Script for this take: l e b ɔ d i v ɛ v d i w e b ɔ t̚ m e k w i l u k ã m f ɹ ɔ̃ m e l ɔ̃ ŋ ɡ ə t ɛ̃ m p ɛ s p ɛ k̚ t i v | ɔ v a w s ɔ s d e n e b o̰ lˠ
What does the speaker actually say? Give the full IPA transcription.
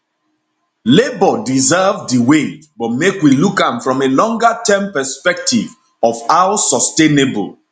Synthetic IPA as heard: l e b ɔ d i z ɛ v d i w e b ɔ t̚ m e k w i l u k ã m f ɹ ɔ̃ m e l ɔ̃ ŋ ɡ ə t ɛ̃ m p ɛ s p ɛ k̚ t i v | ɔ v a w s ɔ s t e n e b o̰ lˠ

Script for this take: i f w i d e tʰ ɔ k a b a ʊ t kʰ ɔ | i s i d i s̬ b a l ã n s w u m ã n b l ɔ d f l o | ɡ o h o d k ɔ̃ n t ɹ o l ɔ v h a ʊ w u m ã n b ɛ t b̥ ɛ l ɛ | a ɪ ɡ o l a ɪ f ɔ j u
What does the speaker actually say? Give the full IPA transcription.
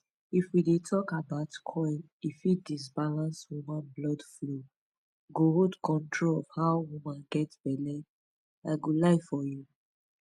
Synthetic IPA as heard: i f w i d e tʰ ɔ k a b a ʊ t kʰ ɔ | i f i d i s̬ b a l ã n s w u m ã n b l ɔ d f l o | ɡ o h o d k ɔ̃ n t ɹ o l ɔ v h a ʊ w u m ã n ɡ ɛ t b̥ ɛ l ɛ | a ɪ ɡ o l a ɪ f ɔ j u

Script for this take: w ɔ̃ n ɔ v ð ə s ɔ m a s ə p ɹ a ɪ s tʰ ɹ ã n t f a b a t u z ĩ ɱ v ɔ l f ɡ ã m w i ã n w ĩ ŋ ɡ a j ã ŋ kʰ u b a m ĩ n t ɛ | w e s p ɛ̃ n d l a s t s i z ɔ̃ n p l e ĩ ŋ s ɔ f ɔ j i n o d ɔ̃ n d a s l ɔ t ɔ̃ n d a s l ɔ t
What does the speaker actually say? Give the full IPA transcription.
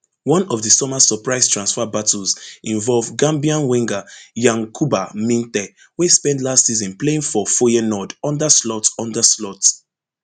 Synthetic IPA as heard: w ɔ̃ n ɔ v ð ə s ɔ m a s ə p ɹ a ɪ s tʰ ɹ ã n s f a b a t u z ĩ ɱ v ɔ l v ɡ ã m b i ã n w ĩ ŋ ɡ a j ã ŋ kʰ u b a m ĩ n t ɛ | w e s p ɛ̃ n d l a s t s i z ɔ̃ n p l e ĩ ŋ f ɔ f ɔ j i n ɔ d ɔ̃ n d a s l ɔ t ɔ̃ n d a s l ɔ t

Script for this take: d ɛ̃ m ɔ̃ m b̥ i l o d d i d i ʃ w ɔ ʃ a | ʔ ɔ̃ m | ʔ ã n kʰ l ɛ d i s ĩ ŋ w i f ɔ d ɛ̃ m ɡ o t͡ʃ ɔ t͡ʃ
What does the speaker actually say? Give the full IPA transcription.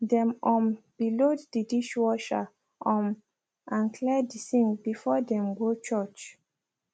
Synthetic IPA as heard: d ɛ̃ m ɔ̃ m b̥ i l o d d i d i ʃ w ɔ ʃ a | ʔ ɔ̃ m | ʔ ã n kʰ l ɛ d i s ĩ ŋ b i f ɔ d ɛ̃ m ɡ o t͡ʃ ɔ t͡ʃ

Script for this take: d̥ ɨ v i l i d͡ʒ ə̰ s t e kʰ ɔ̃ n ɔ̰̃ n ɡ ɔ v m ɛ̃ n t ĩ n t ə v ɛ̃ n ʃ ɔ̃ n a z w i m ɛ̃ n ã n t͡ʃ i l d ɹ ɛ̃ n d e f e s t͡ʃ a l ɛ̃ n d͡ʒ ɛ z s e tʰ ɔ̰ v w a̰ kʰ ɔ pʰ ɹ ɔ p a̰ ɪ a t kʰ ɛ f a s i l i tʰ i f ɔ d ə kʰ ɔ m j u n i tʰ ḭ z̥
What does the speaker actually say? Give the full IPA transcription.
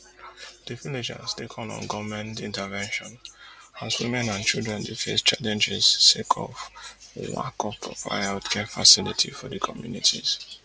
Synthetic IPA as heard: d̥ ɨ v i l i d͡ʒ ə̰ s t e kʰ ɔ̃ n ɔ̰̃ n ɡ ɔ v m ɛ̃ n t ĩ n t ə v ɛ̃ n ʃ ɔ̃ n a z w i m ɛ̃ n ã n t͡ʃ i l d ɹ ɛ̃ n d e f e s t͡ʃ a l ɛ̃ n d͡ʒ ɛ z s e kʰ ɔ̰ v w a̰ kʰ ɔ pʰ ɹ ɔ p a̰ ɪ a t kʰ ɛ f a s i l i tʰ i f ɔ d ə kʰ ɔ m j u n i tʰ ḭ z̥

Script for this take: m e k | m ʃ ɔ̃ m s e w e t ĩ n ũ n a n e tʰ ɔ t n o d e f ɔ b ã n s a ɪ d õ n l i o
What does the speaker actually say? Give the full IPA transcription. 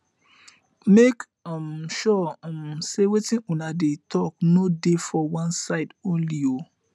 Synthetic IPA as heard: m e k | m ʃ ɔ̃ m s e w e t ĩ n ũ n a d e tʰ ɔ k n o d e f ɔ w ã n s a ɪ d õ n l i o

